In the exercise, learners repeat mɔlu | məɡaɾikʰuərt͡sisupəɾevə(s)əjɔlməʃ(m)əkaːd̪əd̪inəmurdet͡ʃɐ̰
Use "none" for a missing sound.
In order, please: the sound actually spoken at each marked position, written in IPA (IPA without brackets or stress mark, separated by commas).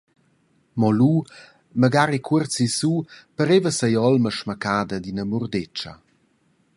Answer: s, m